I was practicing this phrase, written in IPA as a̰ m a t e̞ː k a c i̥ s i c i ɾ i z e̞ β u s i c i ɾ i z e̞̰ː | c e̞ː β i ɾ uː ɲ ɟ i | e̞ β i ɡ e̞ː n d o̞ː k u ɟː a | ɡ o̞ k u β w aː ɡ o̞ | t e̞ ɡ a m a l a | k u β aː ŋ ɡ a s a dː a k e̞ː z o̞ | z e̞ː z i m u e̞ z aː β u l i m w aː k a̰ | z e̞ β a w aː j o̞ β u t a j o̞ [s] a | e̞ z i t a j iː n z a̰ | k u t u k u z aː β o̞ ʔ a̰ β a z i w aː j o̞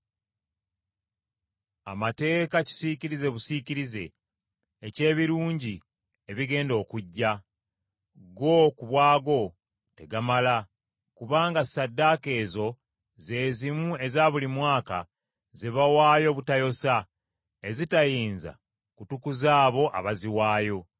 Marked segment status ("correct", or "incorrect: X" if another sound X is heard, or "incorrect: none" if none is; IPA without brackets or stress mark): correct